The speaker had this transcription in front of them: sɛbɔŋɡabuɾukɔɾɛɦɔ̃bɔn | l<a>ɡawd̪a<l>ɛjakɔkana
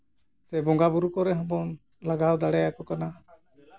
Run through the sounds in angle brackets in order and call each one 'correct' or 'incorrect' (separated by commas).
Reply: correct, incorrect